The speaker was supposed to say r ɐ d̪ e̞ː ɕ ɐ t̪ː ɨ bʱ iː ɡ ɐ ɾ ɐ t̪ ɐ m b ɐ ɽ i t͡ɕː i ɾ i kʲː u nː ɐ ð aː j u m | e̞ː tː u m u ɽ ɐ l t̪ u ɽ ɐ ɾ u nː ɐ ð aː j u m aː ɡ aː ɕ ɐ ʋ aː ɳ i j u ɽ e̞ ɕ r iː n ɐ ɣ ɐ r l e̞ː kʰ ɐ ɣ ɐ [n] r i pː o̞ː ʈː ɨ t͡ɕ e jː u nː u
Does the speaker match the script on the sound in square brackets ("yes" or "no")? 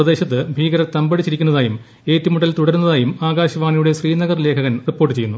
yes